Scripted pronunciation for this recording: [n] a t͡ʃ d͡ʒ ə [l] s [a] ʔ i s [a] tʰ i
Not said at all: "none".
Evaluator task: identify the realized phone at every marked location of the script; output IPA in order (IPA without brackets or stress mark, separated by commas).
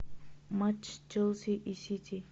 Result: m, l, i, i